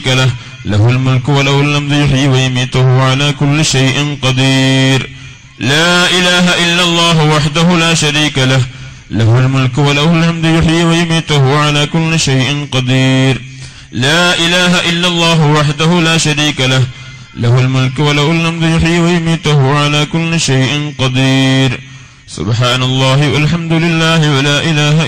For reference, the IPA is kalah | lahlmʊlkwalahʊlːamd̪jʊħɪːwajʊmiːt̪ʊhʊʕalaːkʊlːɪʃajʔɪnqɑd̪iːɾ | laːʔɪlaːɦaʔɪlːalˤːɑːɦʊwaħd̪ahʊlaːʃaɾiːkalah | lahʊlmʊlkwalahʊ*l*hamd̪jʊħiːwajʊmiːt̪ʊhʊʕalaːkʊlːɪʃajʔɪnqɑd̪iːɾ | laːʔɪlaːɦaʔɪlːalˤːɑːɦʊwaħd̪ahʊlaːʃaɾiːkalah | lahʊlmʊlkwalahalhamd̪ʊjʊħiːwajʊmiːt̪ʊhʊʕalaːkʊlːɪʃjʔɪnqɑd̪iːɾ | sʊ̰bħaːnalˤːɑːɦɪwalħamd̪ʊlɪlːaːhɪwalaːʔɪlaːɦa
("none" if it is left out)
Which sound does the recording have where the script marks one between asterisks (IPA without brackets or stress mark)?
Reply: l